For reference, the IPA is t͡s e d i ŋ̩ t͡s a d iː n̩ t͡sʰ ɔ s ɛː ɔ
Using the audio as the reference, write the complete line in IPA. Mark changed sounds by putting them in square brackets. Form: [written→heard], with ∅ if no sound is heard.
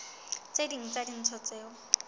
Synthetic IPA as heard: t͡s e d i ŋ̩ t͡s a d [iː→i] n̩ t͡sʰ ɔ [s→t͡s] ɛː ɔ

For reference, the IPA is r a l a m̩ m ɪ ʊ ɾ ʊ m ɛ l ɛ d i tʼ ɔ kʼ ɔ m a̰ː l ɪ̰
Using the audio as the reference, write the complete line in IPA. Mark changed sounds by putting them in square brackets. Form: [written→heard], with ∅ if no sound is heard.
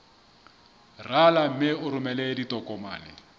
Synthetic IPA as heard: r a l a m̩ m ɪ ʊ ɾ ʊ m ɛ l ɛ d i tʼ ɔ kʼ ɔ m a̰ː l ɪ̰

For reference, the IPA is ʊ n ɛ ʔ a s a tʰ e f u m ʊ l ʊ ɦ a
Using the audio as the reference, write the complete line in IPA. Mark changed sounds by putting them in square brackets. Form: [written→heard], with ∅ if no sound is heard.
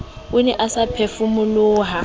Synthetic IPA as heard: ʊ n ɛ ʔ a s a [tʰ→pʰ] e f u m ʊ l [ʊ→ʊː] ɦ a

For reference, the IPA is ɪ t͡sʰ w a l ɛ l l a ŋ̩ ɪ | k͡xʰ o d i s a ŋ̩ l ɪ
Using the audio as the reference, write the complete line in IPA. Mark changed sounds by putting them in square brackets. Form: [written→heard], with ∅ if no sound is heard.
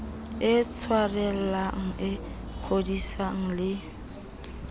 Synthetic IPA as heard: ɪ t͡sʰ w a [l→r] ɛ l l a ŋ̩ ɪ | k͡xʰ o d i s a ŋ̩ l ɪ

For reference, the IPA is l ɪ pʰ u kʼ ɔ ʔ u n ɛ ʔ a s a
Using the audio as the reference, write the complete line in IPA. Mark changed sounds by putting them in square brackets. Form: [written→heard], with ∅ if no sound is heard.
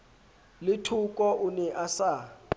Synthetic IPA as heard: l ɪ [pʰ→tʰ] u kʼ ɔ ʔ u n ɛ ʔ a s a

